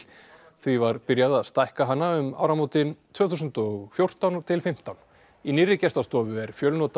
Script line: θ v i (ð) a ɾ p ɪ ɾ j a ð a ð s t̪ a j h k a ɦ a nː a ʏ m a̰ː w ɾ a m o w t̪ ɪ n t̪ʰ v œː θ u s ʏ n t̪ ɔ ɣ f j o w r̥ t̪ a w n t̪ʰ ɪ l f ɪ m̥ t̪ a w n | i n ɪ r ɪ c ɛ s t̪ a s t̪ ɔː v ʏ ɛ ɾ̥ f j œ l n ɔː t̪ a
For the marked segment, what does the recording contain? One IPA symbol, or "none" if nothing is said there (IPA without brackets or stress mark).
v